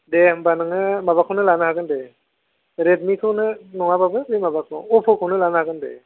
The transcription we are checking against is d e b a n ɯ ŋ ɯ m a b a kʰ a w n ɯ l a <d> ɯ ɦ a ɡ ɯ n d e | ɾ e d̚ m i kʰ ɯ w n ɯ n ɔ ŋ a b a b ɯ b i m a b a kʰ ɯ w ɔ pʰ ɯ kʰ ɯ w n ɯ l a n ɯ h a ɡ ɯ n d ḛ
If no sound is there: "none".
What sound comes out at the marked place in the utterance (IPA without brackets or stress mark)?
n